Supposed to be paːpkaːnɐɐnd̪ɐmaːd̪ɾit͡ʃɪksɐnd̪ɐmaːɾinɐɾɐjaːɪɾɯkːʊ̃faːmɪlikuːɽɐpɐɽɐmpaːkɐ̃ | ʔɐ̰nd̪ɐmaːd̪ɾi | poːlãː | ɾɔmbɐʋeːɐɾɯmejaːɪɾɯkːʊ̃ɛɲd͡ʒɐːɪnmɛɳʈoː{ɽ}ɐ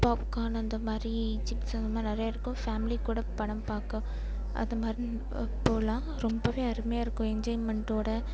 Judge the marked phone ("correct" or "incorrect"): correct